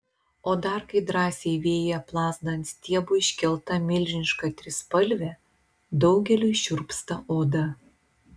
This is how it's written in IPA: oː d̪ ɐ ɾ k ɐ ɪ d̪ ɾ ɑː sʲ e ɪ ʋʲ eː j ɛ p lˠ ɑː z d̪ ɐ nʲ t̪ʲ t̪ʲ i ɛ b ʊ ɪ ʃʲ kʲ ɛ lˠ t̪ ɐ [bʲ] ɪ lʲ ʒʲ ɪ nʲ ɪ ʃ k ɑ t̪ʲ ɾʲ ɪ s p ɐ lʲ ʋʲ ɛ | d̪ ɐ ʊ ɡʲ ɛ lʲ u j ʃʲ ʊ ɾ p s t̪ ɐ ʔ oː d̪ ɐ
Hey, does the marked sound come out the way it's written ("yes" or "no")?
no